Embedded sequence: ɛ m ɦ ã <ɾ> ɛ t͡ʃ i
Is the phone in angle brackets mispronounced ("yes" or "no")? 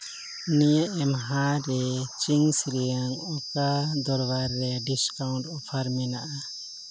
no